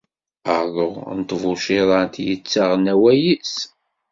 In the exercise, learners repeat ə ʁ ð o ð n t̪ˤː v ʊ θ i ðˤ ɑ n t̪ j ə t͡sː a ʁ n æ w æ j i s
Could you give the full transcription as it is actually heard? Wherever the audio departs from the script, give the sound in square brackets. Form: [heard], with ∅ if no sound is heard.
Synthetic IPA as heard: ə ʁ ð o [ʁ] n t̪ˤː v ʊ [ʃ] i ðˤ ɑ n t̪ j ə t͡sː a ʁ n æ w æ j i s